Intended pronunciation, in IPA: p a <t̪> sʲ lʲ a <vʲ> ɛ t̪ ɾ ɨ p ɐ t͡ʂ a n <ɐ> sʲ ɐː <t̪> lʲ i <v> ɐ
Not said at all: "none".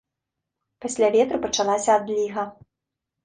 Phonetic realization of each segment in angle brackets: none, vʲ, a, d̪, ɣ

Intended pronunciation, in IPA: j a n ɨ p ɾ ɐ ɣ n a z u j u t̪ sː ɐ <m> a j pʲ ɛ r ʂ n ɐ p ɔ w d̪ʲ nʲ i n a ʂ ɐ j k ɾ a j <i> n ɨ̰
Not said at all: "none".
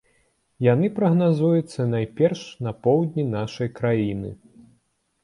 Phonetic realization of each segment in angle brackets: n, i

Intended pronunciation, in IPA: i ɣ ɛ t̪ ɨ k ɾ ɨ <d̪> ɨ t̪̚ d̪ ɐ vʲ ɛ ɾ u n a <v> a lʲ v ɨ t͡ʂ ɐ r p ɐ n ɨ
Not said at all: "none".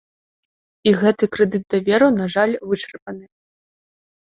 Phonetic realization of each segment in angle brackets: d̪, ʐ

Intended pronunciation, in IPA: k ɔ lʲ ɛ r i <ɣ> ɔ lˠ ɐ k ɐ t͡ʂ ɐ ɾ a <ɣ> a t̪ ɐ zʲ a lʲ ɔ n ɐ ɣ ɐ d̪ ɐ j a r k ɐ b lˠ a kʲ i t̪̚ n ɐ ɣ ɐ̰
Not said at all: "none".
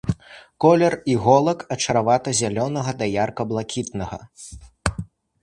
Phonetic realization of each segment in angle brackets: ɣ, v

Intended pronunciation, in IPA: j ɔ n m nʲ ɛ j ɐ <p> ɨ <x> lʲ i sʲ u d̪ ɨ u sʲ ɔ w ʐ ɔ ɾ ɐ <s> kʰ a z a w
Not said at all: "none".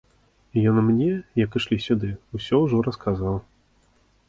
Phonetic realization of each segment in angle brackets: k, ʂ, s

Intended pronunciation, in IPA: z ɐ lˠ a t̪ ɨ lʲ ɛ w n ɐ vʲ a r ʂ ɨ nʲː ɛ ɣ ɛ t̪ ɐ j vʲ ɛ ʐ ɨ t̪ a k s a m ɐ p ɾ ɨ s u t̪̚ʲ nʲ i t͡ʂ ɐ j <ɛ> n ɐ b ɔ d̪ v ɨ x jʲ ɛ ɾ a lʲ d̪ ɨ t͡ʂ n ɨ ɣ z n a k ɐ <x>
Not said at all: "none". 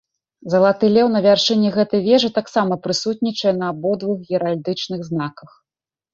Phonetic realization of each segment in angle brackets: ɛ, x

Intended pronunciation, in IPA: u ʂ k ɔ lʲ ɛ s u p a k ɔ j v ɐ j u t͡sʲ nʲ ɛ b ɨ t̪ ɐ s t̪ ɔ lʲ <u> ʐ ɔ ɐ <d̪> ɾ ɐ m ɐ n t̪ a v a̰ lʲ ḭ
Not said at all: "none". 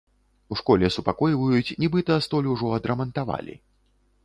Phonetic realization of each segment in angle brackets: u, d̪

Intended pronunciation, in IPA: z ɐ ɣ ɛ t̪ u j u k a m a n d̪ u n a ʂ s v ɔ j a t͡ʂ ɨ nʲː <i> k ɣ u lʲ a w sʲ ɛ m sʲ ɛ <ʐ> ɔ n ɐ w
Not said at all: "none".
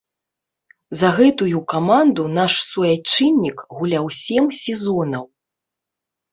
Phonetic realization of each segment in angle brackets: i, z

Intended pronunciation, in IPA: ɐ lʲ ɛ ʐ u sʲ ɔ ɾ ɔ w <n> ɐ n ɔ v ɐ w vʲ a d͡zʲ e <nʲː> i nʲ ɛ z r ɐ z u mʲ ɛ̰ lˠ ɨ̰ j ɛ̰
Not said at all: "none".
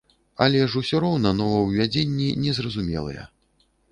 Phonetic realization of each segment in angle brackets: n, nʲː

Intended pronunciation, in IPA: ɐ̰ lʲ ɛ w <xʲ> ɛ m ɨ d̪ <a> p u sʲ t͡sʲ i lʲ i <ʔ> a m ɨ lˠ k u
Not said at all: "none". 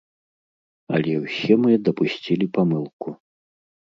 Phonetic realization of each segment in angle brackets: sʲ, ɐ, p

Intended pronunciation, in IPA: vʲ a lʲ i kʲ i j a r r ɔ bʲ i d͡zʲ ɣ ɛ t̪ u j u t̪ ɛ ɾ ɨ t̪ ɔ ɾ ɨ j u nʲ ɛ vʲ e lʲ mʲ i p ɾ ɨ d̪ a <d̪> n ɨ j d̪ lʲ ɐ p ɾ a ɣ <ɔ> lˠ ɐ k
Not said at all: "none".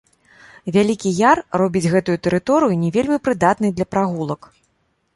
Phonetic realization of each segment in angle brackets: t̪, u

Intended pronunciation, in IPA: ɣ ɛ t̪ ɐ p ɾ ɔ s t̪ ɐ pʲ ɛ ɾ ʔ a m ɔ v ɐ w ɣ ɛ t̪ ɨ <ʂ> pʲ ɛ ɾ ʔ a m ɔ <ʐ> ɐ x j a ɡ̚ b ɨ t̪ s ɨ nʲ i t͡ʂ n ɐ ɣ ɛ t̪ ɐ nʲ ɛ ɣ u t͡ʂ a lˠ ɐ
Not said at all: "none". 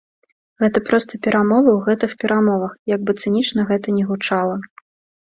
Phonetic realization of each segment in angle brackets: x, v

